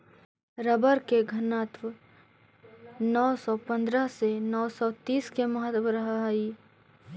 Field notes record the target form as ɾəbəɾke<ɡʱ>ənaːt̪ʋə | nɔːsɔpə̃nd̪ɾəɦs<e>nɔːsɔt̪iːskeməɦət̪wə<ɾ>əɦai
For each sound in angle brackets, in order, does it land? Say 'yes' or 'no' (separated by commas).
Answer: yes, yes, yes